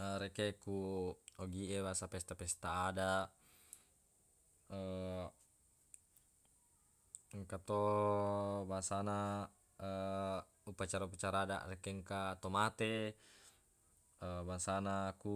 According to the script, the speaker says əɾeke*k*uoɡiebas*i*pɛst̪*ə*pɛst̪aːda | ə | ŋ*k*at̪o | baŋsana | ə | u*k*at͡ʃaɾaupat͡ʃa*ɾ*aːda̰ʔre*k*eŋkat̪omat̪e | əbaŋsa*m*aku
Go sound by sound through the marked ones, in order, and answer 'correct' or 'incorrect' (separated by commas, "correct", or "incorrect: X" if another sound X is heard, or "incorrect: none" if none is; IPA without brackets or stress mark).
correct, incorrect: a, incorrect: a, correct, incorrect: p, correct, correct, incorrect: n